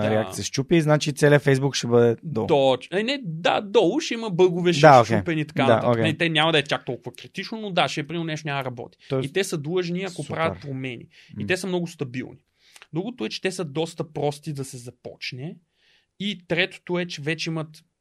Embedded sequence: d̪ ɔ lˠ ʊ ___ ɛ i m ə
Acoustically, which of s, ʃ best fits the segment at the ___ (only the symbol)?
ʃ